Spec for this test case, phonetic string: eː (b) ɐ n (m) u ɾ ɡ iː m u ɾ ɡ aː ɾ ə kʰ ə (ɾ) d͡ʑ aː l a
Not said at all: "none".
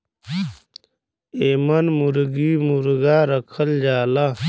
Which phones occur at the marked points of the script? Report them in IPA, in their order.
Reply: m, m, l

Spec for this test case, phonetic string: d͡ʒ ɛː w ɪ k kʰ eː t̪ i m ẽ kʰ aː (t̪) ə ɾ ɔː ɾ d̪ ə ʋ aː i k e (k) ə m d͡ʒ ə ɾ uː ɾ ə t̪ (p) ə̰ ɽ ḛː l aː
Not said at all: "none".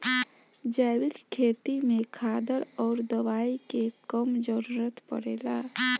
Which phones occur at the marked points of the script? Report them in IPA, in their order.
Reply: d̪, k, p

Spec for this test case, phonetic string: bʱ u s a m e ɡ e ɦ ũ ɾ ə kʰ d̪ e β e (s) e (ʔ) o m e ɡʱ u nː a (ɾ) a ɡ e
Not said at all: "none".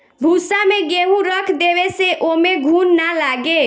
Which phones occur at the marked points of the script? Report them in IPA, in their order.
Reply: s, ʔ, l

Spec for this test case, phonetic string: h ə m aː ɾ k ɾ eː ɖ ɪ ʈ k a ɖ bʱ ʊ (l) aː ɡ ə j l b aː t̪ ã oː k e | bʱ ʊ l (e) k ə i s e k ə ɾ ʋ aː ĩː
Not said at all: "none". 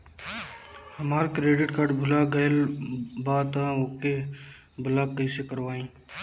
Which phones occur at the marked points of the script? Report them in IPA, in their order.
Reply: l, a

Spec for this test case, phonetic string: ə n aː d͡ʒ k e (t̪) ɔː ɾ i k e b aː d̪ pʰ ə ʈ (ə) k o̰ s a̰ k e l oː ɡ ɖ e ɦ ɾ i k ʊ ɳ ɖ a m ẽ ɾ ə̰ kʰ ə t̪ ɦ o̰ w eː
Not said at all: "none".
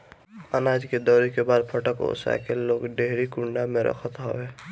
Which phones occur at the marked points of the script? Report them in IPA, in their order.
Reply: d̪, ə

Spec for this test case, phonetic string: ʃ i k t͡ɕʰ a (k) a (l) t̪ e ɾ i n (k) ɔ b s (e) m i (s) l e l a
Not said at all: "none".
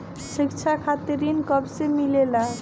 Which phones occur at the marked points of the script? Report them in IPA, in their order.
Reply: kʰ, none, k, e, none

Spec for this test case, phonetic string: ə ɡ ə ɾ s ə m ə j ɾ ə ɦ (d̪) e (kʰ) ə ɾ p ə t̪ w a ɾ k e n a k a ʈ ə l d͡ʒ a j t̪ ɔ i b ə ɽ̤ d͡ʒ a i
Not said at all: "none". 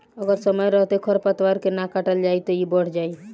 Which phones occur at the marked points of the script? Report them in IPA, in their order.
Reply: t̪, kʰ

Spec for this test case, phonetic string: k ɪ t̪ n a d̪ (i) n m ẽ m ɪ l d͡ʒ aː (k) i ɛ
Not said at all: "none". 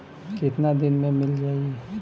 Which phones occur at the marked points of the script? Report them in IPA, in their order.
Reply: ɪ, none

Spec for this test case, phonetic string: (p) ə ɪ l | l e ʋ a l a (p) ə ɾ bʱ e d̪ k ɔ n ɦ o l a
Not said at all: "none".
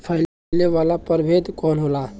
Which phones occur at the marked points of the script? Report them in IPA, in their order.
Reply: pʰ, p

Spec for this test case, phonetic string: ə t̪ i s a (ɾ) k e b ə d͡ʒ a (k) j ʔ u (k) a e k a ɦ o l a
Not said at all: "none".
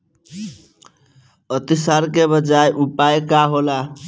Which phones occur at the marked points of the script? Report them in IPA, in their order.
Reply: ɾ, none, p

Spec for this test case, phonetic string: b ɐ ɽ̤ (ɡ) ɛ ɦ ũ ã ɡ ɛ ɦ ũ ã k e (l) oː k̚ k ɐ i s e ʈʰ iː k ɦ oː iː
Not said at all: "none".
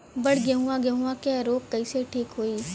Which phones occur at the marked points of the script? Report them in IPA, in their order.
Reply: ɡ, ɾ

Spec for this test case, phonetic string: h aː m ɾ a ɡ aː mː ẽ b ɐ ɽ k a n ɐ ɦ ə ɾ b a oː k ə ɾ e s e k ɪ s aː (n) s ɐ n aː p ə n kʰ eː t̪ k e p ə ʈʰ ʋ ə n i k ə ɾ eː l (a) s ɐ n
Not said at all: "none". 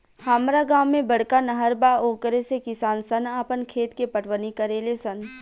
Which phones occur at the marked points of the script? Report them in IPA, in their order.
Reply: n, e

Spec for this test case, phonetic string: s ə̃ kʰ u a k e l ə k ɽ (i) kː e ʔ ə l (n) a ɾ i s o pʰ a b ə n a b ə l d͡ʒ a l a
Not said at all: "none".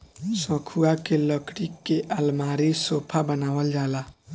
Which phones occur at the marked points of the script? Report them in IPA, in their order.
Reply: i, m

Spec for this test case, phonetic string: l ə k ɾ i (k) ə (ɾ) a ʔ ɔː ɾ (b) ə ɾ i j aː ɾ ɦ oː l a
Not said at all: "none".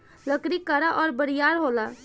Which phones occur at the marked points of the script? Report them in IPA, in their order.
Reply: k, ɾ, b

